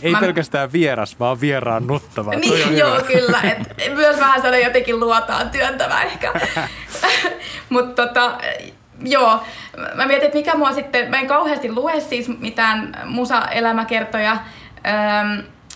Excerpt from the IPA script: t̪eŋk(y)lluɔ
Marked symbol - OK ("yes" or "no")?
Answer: no